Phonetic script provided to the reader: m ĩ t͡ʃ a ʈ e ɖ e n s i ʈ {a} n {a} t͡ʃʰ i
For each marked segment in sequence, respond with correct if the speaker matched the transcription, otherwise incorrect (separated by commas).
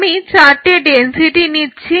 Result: incorrect, incorrect